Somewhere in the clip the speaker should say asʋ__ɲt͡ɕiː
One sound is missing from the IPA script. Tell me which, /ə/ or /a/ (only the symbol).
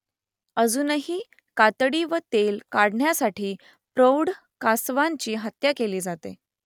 a